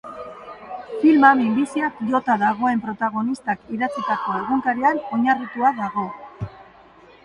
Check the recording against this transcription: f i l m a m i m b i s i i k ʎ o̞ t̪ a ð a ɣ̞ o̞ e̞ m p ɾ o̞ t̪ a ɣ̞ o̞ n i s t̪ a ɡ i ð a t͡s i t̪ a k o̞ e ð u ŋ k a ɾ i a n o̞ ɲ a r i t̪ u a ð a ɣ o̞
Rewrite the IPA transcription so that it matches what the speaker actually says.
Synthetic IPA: f i l m a m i m b i s i a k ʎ o̞ t̪ a ð a ɣ̞ o̞ e̞ m p ɾ o̞ t̪ a ɣ̞ o̞ n i s t̪ a k i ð a t͡s i t̪ a k o̞ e ɣ u ŋ k a ɾ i a n o̞ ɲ a r i t̪ u a ð a ɣ o̞